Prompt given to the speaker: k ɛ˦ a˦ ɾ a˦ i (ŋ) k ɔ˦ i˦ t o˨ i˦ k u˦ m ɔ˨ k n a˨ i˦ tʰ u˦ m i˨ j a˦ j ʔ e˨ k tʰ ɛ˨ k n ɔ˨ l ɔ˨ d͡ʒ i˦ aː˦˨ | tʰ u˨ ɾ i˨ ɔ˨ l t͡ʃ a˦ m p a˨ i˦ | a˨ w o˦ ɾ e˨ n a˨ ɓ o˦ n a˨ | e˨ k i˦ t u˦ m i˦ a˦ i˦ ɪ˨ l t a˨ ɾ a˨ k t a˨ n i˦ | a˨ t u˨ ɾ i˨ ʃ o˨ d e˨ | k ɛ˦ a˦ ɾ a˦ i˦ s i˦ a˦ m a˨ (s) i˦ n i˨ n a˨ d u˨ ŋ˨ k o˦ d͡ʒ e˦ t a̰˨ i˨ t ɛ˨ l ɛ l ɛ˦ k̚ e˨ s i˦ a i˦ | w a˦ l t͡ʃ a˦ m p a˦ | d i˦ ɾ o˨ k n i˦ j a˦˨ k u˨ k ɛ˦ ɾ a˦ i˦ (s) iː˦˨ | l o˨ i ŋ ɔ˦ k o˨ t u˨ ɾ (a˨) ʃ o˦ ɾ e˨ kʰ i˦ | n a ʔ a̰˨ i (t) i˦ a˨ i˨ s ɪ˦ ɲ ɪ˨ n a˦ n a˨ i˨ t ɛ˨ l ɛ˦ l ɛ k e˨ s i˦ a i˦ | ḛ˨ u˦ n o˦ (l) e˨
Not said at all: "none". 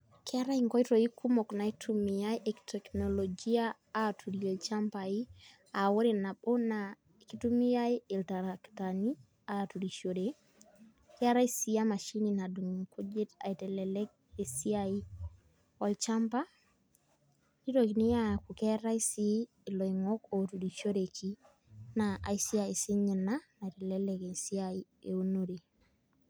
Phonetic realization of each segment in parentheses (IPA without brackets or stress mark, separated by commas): ŋ, ʃ, s, i˨, s, ɾ